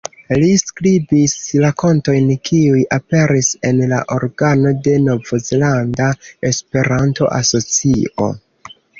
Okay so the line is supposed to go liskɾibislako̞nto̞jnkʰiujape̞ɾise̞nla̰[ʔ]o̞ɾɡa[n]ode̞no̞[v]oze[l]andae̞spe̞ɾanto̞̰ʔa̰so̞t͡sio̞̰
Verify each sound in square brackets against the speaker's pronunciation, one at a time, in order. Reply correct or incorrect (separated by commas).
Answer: correct, correct, correct, correct